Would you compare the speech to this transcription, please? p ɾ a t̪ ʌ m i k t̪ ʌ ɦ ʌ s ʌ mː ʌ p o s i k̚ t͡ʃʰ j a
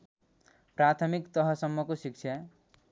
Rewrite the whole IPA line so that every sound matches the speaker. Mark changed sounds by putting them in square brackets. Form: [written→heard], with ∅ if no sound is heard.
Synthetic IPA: p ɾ a [t̪→t̪ʰ] ʌ m i k t̪ ʌ ɦ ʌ s ʌ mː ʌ [p→k] o s i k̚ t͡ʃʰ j a